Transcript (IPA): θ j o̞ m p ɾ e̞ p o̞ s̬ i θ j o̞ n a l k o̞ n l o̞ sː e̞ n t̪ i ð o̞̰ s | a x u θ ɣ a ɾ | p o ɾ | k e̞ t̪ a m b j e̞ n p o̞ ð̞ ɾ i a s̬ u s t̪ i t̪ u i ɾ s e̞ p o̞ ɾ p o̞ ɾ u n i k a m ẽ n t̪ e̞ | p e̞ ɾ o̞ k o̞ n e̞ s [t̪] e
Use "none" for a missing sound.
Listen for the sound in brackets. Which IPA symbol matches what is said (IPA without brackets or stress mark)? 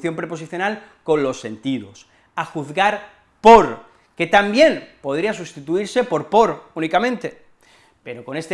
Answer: t̪